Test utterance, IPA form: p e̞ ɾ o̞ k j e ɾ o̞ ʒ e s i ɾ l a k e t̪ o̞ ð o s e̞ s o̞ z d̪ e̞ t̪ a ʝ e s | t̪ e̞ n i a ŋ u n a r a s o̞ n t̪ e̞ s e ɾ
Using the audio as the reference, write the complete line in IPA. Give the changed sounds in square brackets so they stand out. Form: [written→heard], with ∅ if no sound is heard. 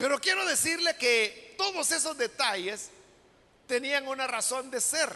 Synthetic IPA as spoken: p e̞ ɾ o̞ k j e ɾ o̞ [ʒ→ð] e s i ɾ l [a→e] k e t̪ o̞ ð o s e̞ s o̞ z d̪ e̞ t̪ a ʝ e s | t̪ e̞ n i a ŋ u n a r a s o̞ n [t̪→d̪] e̞ s e ɾ